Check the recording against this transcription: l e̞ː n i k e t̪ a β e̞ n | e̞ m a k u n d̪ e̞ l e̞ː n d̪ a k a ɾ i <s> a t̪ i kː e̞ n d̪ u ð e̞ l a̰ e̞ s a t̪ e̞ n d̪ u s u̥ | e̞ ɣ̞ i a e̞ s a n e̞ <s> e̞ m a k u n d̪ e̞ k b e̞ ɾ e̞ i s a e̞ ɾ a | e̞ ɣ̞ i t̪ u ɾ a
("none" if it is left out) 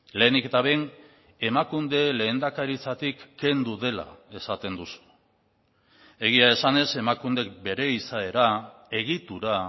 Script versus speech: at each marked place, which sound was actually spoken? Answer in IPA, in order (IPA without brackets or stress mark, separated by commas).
t͡s, s